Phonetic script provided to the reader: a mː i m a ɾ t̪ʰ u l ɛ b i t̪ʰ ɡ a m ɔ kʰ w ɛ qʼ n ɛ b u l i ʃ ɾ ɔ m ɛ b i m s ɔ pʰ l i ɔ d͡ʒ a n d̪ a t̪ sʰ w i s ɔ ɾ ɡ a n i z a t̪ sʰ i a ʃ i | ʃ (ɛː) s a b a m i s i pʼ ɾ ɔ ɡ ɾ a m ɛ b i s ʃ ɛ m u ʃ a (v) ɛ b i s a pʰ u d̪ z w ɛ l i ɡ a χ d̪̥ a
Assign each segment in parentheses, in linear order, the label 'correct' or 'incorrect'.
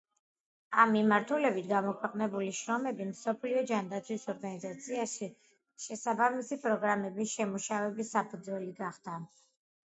incorrect: ɛ, correct

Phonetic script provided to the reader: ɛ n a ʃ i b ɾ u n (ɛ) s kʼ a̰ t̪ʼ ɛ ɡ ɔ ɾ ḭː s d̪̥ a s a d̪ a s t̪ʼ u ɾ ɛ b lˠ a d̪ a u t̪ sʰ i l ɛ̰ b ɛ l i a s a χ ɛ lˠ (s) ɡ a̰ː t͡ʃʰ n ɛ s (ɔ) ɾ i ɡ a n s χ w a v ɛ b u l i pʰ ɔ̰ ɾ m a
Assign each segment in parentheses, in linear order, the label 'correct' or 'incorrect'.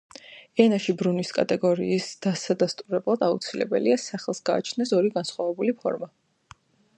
incorrect: i, correct, correct

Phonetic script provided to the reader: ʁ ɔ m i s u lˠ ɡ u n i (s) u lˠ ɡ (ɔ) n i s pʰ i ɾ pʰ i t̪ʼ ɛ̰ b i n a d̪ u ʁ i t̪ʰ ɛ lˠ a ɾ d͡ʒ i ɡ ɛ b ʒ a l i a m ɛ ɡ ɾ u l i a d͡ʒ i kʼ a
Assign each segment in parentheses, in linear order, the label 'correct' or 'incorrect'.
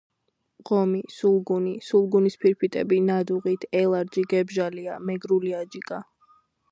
correct, incorrect: u

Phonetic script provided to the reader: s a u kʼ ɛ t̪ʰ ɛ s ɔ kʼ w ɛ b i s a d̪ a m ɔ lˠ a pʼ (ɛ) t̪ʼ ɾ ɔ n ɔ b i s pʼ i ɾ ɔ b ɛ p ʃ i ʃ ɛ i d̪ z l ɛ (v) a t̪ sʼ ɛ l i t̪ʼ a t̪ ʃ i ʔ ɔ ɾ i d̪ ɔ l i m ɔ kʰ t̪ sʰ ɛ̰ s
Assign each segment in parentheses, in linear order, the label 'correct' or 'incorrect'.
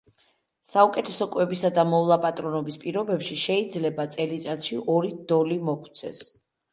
incorrect: a, incorrect: b

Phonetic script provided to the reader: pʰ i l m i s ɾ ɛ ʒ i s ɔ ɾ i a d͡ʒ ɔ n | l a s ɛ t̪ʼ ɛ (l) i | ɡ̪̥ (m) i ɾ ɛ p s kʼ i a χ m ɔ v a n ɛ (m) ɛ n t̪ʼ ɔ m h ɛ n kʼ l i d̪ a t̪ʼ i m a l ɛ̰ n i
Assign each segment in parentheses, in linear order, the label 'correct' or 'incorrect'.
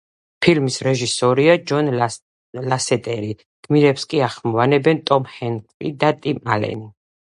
incorrect: ɾ, correct, incorrect: b

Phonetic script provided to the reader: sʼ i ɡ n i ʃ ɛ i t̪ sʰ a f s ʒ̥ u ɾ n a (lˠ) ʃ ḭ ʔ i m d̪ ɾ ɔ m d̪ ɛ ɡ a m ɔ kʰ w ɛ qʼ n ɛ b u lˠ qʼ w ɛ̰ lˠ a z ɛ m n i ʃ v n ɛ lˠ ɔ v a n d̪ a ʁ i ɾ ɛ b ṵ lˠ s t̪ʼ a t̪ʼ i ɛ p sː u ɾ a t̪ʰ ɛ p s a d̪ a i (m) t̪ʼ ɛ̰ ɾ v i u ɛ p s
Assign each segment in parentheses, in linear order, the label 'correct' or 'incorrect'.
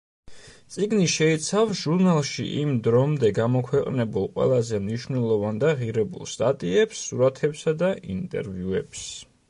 correct, incorrect: n

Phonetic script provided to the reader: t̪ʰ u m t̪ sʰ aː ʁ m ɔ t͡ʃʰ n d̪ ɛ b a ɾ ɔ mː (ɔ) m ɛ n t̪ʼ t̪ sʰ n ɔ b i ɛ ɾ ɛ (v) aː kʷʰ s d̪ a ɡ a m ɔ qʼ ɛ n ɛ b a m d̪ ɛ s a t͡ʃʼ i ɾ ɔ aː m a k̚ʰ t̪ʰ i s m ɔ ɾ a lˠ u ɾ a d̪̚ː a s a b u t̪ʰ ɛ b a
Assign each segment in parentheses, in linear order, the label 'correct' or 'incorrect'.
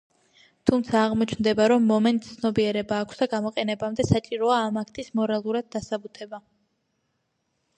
correct, incorrect: b

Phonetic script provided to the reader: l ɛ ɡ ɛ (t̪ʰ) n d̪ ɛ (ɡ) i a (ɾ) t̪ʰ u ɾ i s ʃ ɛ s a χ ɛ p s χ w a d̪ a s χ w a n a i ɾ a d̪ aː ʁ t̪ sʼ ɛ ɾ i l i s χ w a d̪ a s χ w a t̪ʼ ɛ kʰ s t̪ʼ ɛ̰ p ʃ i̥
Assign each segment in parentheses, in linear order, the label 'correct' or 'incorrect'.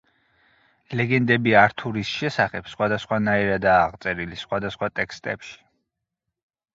incorrect: none, incorrect: b, correct

